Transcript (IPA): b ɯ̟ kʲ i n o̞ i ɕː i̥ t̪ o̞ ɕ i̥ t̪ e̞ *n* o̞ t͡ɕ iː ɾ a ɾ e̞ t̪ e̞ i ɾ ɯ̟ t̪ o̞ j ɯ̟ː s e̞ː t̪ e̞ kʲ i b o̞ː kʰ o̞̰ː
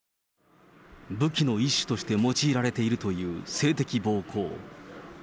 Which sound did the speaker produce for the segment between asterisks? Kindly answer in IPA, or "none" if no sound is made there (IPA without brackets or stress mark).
m